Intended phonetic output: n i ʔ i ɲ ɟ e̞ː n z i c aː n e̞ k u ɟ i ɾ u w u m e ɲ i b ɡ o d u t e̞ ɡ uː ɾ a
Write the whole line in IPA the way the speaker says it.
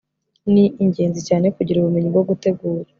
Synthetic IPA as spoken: n i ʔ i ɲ ɟ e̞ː n z i c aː n e̞ k u ɟ i ɾ u β u m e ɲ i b ɡ o ɡ u t e̞ ɡ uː ɾ a